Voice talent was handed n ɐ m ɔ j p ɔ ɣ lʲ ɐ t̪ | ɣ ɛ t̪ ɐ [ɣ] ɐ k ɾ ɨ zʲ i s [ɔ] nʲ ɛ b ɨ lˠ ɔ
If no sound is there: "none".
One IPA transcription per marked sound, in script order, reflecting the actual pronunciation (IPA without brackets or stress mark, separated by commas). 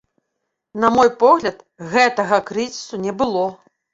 ɣ, u